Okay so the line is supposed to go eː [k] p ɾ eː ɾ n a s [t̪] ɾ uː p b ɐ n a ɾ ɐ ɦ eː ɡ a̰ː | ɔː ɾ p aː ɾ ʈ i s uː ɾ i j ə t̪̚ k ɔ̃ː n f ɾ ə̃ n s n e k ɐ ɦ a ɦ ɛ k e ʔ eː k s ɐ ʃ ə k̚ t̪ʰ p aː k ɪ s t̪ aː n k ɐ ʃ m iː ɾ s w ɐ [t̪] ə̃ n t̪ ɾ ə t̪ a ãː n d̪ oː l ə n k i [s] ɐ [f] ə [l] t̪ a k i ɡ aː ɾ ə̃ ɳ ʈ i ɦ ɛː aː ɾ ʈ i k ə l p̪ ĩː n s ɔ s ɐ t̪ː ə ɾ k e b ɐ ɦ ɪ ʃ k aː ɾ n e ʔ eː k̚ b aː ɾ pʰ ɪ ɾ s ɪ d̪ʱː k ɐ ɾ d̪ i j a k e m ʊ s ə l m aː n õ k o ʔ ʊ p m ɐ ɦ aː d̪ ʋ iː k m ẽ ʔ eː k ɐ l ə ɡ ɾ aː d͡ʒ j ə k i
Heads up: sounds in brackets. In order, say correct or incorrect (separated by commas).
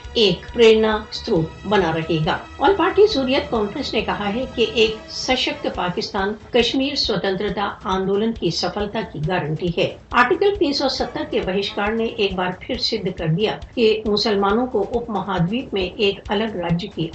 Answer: correct, correct, correct, correct, correct, correct